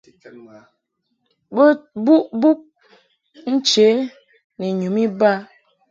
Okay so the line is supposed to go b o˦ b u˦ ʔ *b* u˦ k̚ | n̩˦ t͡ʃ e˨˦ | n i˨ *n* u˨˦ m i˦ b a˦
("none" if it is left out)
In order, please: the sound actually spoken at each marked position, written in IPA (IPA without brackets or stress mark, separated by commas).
b, ɲ